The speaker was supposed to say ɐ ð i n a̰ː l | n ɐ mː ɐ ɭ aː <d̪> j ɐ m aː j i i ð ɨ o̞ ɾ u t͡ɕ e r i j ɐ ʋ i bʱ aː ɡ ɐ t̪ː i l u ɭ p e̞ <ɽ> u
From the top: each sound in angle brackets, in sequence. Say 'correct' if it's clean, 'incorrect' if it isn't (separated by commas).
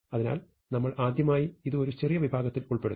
correct, correct